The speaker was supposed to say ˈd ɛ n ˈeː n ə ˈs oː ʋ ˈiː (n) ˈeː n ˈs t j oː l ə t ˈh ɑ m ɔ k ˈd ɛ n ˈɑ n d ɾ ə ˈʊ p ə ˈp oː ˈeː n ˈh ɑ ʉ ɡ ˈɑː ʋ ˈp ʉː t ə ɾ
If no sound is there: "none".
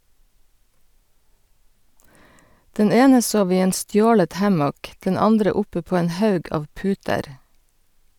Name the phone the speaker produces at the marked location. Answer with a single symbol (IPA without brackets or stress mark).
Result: none